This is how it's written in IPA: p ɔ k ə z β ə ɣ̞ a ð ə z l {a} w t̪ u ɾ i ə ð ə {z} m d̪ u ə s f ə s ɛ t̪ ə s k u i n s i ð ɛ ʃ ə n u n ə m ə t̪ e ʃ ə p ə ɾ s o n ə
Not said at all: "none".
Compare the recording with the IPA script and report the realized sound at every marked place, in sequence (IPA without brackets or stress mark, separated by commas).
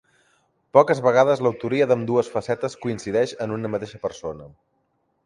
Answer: ə, none